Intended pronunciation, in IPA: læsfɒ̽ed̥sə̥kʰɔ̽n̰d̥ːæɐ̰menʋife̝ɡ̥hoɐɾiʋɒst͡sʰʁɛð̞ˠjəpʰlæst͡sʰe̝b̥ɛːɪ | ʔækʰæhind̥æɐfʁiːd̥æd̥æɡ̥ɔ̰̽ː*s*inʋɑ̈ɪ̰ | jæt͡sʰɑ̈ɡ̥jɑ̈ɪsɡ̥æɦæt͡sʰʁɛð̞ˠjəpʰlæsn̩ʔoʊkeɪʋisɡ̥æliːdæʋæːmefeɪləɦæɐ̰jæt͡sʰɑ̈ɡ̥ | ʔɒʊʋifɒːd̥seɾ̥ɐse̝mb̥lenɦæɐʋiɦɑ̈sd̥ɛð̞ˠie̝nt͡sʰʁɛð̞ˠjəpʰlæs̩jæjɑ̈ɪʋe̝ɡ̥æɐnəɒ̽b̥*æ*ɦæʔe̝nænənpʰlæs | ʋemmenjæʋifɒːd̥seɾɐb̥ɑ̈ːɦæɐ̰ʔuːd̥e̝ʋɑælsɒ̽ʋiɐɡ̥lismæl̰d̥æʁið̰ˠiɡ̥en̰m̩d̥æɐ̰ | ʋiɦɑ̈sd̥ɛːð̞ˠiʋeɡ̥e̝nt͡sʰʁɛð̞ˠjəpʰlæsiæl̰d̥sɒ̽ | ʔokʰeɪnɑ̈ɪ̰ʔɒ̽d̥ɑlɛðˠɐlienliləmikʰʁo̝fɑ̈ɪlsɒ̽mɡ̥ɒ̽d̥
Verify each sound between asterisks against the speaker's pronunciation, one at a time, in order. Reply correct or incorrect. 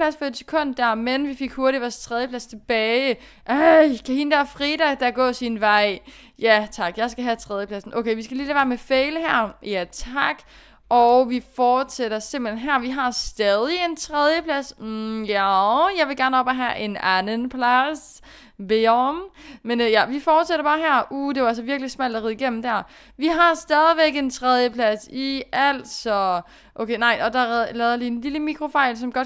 correct, correct

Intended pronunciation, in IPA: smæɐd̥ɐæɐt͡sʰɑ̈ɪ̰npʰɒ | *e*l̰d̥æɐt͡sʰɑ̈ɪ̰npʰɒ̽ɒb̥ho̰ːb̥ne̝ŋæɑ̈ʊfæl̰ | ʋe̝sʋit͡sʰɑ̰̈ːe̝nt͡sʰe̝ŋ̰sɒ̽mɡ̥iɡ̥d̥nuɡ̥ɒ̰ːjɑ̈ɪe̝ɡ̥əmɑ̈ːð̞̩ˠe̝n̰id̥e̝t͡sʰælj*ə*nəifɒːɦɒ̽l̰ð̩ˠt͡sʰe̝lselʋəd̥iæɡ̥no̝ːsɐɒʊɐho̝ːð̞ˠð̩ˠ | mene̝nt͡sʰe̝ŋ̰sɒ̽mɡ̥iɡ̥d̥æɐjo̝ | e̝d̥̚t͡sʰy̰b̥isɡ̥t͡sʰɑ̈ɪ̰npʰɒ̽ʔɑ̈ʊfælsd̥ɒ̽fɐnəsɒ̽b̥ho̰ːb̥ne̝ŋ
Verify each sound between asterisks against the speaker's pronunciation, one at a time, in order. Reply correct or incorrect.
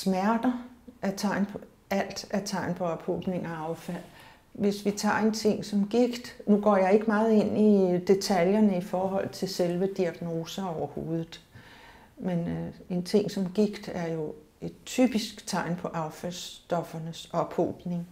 incorrect: æ, incorrect: ɐ

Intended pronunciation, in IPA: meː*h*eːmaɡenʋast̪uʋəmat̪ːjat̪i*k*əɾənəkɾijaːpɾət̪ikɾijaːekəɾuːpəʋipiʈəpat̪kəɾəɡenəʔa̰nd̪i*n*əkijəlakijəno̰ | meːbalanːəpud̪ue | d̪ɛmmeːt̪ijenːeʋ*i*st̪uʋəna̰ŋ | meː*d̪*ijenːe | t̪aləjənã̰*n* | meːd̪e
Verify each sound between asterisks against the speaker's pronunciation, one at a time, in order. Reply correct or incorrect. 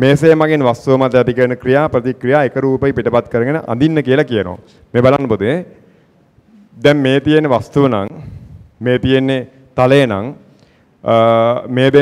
incorrect: s, correct, incorrect: nː, incorrect: a, incorrect: t̪, incorrect: ŋ

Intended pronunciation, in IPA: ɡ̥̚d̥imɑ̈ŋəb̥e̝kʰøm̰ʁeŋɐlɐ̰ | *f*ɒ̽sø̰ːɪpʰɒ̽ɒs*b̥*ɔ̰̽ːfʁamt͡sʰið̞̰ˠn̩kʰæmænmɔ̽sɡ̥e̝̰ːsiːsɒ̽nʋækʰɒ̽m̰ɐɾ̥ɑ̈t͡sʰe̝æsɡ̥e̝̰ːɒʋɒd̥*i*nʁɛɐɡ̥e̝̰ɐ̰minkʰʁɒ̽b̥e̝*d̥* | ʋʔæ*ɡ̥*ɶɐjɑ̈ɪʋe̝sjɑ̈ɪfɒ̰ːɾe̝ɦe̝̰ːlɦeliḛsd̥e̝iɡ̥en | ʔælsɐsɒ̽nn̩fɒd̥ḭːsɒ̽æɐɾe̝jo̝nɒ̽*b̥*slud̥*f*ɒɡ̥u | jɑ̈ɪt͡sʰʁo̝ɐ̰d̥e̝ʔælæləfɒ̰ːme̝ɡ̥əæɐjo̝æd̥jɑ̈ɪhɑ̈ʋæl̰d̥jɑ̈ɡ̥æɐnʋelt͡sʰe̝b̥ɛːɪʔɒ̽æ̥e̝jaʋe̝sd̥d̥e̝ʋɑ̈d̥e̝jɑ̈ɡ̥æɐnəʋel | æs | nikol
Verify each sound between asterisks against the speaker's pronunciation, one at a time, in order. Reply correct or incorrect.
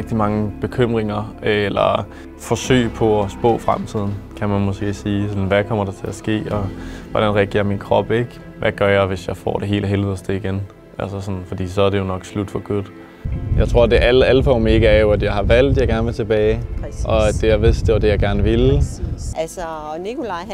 correct, correct, incorrect: æ, incorrect: ɡ̥, correct, incorrect: ɡ̥, correct

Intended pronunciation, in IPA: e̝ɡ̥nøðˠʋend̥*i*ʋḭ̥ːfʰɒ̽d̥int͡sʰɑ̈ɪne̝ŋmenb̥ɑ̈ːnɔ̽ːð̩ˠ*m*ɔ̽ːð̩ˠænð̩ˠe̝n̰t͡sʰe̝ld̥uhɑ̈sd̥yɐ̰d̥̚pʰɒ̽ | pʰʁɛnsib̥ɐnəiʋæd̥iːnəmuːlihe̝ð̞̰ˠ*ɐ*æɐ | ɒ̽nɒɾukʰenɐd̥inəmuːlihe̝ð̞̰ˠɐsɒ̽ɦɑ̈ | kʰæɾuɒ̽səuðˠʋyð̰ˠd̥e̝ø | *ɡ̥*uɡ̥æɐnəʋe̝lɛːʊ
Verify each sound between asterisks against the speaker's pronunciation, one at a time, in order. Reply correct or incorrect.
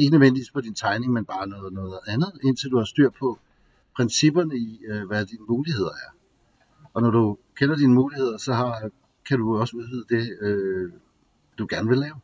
correct, incorrect: n, correct, incorrect: d̥

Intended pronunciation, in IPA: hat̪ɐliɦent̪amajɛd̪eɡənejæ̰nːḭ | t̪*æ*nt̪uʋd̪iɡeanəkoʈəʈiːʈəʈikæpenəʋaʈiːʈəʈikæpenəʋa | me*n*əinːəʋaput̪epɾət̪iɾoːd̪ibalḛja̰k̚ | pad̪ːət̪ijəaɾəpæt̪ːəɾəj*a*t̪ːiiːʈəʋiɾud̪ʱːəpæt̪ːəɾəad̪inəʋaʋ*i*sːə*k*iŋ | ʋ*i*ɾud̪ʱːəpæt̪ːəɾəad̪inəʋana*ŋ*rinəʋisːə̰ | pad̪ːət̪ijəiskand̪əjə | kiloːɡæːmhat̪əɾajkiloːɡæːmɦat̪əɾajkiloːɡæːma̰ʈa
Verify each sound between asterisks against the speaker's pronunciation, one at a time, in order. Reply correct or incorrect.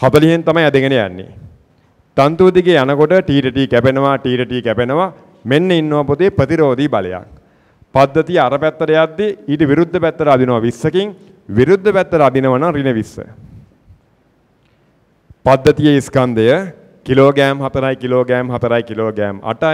incorrect: a, incorrect: nː, correct, correct, correct, correct, correct

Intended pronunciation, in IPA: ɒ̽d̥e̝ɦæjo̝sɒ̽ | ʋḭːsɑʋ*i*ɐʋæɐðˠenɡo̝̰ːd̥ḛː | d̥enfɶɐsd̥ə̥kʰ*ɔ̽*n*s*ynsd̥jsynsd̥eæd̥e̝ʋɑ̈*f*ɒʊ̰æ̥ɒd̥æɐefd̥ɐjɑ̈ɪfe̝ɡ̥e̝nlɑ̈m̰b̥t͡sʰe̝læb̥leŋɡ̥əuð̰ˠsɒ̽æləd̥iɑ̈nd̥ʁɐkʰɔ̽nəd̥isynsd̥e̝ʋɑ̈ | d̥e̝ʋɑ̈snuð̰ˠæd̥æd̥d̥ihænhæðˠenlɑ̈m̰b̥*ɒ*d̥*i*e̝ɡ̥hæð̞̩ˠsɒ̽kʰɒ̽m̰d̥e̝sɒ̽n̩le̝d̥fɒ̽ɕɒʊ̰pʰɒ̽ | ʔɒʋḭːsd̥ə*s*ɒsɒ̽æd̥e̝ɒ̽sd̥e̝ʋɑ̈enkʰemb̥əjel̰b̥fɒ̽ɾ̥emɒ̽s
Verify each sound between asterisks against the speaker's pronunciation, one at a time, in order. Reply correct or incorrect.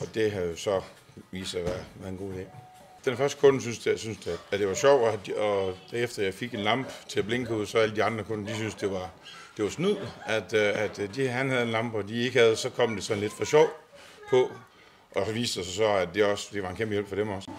incorrect: æ, correct, correct, incorrect: ɕ, correct, correct, correct

